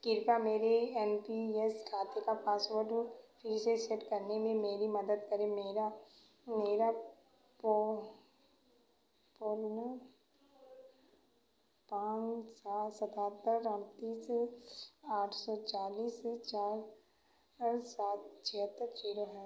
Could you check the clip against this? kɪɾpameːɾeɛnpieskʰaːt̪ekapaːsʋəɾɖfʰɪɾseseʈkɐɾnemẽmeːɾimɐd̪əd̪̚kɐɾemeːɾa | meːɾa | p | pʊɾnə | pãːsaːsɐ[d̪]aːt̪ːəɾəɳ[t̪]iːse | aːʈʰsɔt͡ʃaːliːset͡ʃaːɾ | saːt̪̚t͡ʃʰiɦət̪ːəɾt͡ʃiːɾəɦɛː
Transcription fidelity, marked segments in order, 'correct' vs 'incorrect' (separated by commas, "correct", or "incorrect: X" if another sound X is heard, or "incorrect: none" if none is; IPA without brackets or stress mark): incorrect: t̪, correct